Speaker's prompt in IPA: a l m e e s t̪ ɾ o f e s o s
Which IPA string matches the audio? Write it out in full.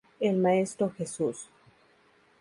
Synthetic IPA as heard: e l m a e s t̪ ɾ o x e s u s